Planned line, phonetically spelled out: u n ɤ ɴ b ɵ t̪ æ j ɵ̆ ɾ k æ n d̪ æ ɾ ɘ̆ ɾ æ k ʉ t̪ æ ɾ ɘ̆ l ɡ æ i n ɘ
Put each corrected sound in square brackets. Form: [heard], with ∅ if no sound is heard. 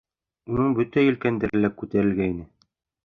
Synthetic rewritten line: u n ɤ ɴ b ɵ t̪ æ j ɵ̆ [l] k æ n d̪ æ ɾ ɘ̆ [l] æ k ʉ t̪ æ ɾ ɘ̆ l ɡ æ i n ɘ